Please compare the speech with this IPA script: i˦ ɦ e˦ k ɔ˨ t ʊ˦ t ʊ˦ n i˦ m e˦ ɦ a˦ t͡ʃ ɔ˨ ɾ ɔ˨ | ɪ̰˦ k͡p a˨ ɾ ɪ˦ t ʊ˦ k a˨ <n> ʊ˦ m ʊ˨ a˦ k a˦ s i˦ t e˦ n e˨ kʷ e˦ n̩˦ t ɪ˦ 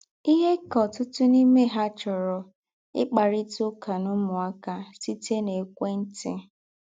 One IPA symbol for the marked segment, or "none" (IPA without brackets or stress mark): n